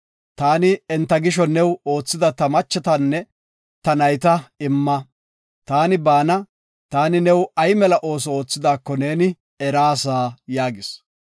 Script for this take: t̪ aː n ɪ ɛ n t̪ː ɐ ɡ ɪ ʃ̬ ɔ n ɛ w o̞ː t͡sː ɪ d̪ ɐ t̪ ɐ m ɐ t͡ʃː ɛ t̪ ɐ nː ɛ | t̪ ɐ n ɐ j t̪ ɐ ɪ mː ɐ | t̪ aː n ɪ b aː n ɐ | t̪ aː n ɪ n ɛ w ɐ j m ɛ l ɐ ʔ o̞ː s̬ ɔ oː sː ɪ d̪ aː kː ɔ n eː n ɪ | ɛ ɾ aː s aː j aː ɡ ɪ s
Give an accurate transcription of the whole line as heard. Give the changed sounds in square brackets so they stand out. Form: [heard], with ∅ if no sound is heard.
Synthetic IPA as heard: t̪ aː n ɪ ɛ n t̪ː ɐ ɡ ɪ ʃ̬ ɔ n ɛ w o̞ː t͡sː ɪ d̪ ɐ t̪ ɐ m ɐ t͡ʃː ɛ t̪ ɐ nː ɛ | t̪ ɐ n ɐ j t̪ ɐ ɪ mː ɐ | t̪ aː n ɪ b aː n ɐ | t̪ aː n ɪ n ɛ w ɐ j m ɛ l ɐ ʔ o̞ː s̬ ɔ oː [t͡sː] ɪ d̪ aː kː ɔ n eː n ɪ | ɛ ɾ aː s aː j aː ɡ ɪ s